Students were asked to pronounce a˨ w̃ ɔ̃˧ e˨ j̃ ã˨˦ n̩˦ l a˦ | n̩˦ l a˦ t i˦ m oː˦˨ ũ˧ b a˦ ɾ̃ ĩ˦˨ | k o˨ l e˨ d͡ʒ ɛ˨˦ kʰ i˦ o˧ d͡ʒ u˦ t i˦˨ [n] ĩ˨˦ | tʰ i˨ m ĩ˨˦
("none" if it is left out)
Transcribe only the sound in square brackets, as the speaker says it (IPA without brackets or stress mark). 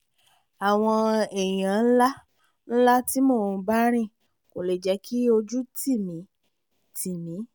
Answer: m